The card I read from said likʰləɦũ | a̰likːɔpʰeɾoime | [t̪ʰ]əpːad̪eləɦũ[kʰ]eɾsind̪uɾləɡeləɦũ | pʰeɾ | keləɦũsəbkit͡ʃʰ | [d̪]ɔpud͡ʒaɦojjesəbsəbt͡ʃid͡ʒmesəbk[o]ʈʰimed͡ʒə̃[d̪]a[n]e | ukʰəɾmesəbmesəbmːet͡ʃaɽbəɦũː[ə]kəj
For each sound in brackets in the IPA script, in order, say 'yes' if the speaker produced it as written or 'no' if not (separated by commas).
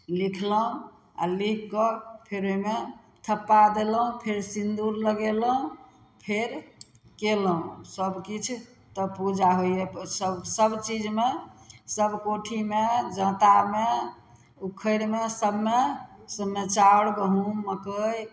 yes, no, no, yes, no, no, yes